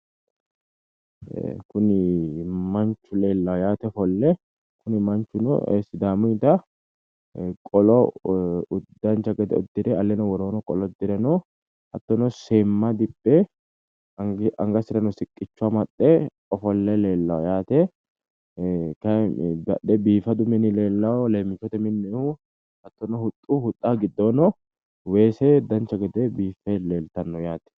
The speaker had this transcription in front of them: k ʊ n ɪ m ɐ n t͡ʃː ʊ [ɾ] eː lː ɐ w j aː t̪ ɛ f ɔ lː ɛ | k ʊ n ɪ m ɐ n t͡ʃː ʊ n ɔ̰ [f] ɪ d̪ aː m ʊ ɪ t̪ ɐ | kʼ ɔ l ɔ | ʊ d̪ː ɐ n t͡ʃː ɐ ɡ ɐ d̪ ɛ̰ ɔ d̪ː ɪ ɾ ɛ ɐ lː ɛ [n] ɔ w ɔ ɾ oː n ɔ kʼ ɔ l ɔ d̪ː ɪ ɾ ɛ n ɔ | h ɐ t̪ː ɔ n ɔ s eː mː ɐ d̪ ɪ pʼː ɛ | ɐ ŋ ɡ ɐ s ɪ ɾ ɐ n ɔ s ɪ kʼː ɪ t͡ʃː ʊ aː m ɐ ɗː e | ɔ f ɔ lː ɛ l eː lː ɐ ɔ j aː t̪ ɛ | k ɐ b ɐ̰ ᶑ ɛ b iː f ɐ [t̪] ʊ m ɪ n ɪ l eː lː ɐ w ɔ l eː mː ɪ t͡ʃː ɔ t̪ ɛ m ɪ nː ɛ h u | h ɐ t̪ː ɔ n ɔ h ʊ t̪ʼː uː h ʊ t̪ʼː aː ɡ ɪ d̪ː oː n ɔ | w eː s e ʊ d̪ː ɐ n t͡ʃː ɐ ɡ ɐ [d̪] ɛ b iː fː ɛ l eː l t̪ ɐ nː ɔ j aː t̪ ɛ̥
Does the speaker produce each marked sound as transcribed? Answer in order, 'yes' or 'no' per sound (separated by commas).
no, no, yes, no, yes